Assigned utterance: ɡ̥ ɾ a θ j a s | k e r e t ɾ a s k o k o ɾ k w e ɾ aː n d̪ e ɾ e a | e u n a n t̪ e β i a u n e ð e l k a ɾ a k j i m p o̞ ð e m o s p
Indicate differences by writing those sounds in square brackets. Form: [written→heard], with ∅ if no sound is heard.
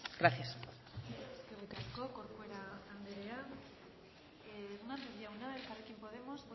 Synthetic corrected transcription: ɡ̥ ɾ a θ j a s | k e r e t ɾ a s k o k o ɾ k w e ɾ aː n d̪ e ɾ e a | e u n a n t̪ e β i a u n [e→a] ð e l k a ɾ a k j [i→e] m p o̞ ð e m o s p

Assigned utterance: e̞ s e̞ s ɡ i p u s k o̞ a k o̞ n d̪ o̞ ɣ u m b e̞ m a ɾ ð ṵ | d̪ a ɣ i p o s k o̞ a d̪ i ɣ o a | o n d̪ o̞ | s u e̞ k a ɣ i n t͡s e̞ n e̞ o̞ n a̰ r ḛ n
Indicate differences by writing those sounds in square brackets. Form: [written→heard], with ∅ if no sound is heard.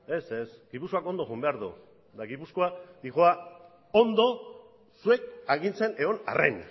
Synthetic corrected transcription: e̞ s e̞ s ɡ i p u s k o̞ a k o̞ n d̪ o̞ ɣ u m b e̞ [m→∅] a ɾ ð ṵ | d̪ a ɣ i p [o→u] s k o̞ a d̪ i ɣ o a | o n d̪ o̞ | s u e̞ k a ɣ i n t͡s e̞ n e̞ o̞ n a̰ r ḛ n

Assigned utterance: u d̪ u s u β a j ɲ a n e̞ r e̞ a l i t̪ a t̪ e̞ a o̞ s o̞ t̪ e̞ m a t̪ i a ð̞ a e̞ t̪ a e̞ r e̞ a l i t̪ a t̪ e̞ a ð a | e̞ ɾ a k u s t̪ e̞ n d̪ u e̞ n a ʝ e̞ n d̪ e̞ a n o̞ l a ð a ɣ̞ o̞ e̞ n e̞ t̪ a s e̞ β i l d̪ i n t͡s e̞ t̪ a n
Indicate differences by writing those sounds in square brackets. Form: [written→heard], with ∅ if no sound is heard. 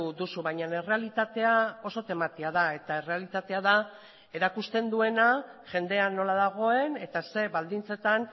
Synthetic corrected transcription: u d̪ u s u β a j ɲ a n e̞ r e̞ a l i t̪ a t̪ e̞ a o̞ s o̞ t̪ e̞ m a t̪ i a ð̞ a e̞ t̪ a e̞ r e̞ a l i t̪ a t̪ e̞ a ð a | e̞ ɾ a k u s t̪ e̞ n d̪ u e̞ n a ʝ e̞ n d̪ e̞ a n o̞ l a ð a ɣ̞ o̞ e̞ n e̞ t̪ a s e̞ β [i→a] l d̪ i n t͡s e̞ t̪ a n

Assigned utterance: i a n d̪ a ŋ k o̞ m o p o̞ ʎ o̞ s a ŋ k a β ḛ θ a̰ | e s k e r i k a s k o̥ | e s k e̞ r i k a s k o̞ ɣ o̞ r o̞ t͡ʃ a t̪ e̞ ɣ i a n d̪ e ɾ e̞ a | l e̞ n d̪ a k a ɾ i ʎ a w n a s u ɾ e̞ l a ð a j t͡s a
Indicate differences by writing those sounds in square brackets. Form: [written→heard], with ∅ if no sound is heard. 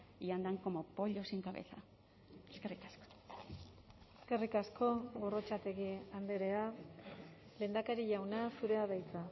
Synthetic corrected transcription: i a n d̪ a ŋ k o̞ m o p o̞ ʎ o̞ s [a→i] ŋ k a β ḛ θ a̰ | e s k e r i k a s k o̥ | e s k e̞ r i k a s k o̞ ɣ o̞ r o̞ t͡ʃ a t̪ e̞ ɣ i a n d̪ e ɾ e̞ a | l e̞ n d̪ a k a ɾ i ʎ a w n a s u ɾ e̞ [l→∅] a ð a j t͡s a

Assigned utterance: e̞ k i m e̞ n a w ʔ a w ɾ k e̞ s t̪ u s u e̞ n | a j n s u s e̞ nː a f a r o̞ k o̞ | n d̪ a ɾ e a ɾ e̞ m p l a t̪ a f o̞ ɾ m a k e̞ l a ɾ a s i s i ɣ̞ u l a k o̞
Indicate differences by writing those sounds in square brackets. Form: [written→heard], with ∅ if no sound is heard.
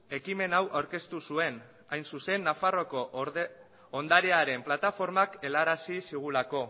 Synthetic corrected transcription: e̞ k i m e̞ n a w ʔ a w ɾ k e̞ s t̪ u s u e̞ n | a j n s u s e̞ nː a f a r o̞ k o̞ | n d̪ a ɾ e a ɾ e̞ m p l a t̪ a f o̞ ɾ m a k e̞ l a ɾ a s i s i ɣ̞ u l a k o̞

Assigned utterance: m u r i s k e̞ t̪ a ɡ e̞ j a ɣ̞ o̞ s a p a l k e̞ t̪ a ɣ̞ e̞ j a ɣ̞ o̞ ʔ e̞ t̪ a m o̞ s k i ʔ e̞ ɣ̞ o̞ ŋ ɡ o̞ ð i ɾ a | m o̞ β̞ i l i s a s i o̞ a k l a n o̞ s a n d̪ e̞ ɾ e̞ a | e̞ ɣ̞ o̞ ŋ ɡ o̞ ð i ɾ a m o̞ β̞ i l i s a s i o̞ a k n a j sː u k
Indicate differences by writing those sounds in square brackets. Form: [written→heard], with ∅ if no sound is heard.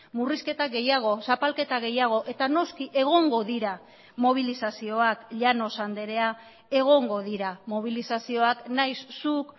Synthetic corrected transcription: m u r i s k e̞ t̪ a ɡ e̞ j a ɣ̞ o̞ s a p a l k e̞ t̪ a ɣ̞ e̞ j a ɣ̞ o̞ ʔ e̞ t̪ a [m→n] o̞ s k i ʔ e̞ ɣ̞ o̞ ŋ ɡ o̞ ð i ɾ a | m o̞ β̞ i l i s a s i o̞ a k [l→ʎ] a n o̞ s a n d̪ e̞ ɾ e̞ a | e̞ ɣ̞ o̞ ŋ ɡ o̞ ð i ɾ a m o̞ β̞ i l i s a s i o̞ a k n a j sː u k

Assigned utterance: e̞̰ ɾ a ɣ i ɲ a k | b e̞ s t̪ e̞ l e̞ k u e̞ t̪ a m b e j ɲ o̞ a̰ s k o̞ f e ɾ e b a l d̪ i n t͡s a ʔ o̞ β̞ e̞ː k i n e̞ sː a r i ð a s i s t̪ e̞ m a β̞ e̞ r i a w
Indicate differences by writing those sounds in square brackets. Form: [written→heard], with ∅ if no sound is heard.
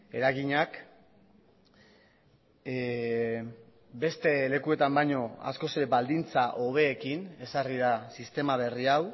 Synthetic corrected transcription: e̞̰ ɾ a ɣ i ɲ a k | b e̞ s t̪ e̞ l e̞ k u e̞ t̪ a m b [e→a] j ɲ o̞ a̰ s k o̞ [f→s] e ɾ e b a l d̪ i n t͡s a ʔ o̞ β̞ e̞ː k i n e̞ [sː→s] a r i ð a s i s t̪ e̞ m a β̞ e̞ r i a w

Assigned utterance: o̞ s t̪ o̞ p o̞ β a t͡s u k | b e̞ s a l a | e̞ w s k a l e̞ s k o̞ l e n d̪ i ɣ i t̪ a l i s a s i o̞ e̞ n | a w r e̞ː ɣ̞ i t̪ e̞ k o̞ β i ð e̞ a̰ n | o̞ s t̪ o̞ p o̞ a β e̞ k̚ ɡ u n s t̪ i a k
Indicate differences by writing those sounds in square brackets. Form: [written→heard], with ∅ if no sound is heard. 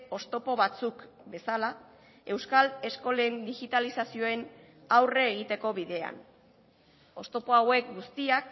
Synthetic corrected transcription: o̞ s t̪ o̞ p o̞ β a t͡s u k | b e̞ s a l a | e̞ w s k a l e̞ s k o̞ l e n d̪ i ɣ i t̪ a l i s a s i o̞ e̞ n | a w r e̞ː ɣ̞ i t̪ e̞ k o̞ β i ð e̞ a̰ n | o̞ s t̪ o̞ p o̞ a [β→w] e̞ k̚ ɡ u [n→∅] s t̪ i a k

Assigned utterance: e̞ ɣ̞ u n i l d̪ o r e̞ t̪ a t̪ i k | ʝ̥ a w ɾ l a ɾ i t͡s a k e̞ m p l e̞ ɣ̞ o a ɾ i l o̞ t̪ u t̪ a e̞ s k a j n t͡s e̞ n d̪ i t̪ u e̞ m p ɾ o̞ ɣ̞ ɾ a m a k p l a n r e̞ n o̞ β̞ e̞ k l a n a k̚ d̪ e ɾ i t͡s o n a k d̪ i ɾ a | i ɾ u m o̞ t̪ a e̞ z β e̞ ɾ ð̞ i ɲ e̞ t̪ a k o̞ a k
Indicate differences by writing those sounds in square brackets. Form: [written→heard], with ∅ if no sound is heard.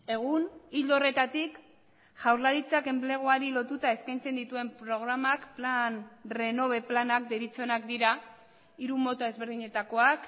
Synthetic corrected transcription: e̞ ɣ̞ u n i l d̪ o r e̞ t̪ a t̪ i k | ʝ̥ a w ɾ l a ɾ i t͡s a k e̞ m p l e̞ ɣ̞ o a ɾ i l o̞ t̪ u t̪ a e̞ s k a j n t͡s e̞ n d̪ i t̪ u e̞ m p ɾ o̞ ɣ̞ ɾ a m a k p l a n r e̞ n o̞ β̞ e̞ [k→p] l a n a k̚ d̪ e ɾ i t͡s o n a k d̪ i ɾ a | i ɾ u m o̞ t̪ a e̞ z β e̞ ɾ ð̞ i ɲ e̞ t̪ a k o̞ a k

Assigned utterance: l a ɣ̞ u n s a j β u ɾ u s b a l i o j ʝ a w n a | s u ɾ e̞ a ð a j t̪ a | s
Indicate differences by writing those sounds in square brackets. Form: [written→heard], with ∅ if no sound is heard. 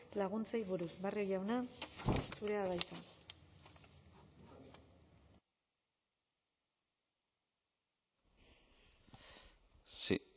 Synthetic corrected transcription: l a ɣ̞ u n [s→t͡s] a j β u ɾ u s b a [l→r] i o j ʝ a w n a | s u ɾ e̞ a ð a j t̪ a | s

